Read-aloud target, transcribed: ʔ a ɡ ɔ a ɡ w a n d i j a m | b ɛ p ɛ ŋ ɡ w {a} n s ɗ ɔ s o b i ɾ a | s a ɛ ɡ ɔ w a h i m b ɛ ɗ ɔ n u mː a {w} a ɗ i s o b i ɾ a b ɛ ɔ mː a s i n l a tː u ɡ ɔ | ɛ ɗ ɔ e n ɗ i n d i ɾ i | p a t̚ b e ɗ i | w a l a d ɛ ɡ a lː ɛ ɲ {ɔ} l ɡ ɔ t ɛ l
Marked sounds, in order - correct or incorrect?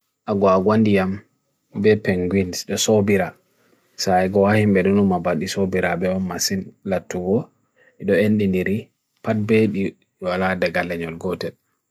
incorrect, incorrect, correct

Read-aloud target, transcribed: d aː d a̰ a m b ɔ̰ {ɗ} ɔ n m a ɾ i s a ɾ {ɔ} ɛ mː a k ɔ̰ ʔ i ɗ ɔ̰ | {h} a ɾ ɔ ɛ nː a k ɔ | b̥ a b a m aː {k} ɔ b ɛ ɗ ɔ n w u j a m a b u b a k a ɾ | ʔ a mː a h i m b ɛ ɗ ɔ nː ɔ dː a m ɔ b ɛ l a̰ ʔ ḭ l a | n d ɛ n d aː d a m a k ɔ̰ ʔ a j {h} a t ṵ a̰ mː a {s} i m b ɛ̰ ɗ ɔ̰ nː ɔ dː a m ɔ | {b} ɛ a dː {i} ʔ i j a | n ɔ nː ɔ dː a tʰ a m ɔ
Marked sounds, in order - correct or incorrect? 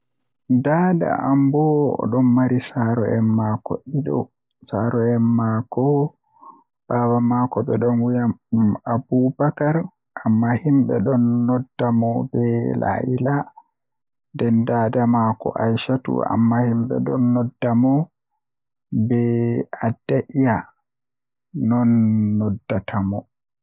correct, correct, incorrect, correct, incorrect, incorrect, correct, incorrect

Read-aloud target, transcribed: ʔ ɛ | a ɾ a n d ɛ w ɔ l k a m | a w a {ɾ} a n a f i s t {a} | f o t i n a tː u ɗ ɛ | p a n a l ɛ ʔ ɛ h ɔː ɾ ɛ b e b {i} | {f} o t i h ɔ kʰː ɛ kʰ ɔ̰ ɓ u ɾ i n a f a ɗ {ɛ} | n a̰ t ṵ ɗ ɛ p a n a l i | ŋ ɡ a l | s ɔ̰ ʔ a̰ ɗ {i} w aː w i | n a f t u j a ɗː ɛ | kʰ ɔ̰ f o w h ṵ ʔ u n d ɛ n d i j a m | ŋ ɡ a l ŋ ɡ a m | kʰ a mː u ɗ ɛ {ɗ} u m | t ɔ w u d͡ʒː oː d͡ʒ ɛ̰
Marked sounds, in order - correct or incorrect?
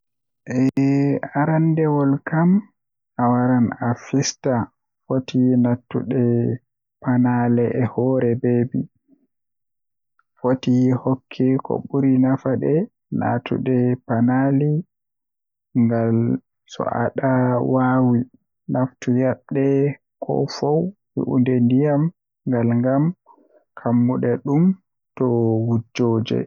correct, correct, correct, correct, correct, incorrect, correct

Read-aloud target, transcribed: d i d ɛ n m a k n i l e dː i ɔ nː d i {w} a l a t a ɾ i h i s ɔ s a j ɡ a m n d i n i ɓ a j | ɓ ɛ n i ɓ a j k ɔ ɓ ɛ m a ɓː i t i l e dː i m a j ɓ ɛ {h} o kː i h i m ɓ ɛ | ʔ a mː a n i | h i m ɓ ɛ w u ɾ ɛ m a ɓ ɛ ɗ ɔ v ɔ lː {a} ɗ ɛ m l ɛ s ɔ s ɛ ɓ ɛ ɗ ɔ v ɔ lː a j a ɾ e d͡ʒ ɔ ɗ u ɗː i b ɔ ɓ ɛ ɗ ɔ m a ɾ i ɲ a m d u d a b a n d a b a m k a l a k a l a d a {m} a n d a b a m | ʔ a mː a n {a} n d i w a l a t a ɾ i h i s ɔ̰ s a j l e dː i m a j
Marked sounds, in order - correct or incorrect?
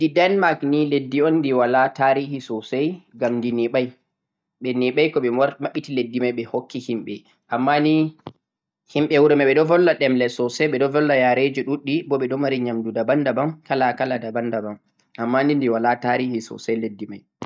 correct, correct, correct, incorrect, incorrect

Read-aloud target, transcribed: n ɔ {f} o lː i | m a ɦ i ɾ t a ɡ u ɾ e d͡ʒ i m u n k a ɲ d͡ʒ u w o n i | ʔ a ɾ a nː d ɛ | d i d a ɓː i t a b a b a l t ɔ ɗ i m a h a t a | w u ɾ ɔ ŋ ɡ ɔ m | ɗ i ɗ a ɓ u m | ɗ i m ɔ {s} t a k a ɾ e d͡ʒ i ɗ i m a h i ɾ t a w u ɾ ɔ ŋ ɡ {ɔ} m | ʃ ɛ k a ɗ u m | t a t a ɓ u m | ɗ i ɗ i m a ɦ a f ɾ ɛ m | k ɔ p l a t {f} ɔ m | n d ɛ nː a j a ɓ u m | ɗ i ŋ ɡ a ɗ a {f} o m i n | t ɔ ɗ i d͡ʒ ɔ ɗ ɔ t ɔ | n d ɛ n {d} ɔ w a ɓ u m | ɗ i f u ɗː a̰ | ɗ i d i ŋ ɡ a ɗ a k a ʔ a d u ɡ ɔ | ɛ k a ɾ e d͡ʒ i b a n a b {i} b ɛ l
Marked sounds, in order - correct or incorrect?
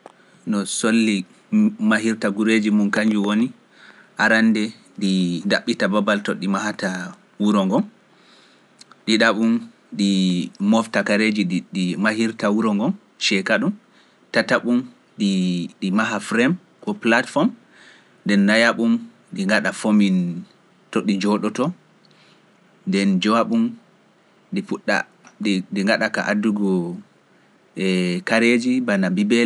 incorrect, incorrect, correct, correct, correct, incorrect, correct

